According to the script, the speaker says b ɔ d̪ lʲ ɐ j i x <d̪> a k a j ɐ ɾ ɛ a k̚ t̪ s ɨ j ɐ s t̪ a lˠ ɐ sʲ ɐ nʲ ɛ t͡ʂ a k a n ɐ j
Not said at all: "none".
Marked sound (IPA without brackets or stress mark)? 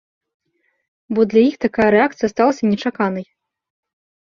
t̪